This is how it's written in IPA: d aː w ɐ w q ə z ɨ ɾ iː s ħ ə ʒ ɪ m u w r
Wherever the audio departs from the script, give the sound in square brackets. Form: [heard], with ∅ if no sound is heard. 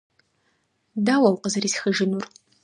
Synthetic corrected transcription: d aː w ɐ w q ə z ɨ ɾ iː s [x] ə ʒ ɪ [n] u [∅] r